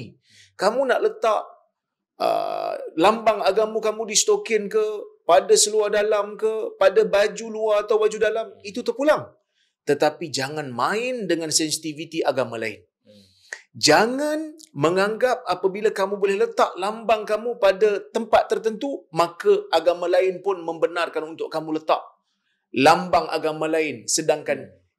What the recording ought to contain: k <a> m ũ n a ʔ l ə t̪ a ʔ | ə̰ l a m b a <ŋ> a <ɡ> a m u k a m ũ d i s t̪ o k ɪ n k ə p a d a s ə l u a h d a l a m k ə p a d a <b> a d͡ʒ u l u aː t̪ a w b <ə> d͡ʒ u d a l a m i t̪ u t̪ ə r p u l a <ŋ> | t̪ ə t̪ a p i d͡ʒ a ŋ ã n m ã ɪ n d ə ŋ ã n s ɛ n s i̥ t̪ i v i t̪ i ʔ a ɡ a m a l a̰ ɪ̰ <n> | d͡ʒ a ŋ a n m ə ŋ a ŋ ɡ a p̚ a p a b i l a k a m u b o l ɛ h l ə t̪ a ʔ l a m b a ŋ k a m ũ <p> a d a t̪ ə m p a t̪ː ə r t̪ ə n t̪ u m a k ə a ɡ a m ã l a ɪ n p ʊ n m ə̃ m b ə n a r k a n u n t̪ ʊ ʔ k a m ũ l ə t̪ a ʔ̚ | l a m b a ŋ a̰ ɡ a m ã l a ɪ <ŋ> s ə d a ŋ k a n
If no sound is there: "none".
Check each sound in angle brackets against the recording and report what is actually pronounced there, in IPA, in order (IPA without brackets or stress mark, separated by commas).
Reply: a, ŋ, ɡ, b, a, ŋ, n, p, n